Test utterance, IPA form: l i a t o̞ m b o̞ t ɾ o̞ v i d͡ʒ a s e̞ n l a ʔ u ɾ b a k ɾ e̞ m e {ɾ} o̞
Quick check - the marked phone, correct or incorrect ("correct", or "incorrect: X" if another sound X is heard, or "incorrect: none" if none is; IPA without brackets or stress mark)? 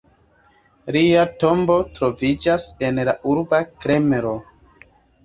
correct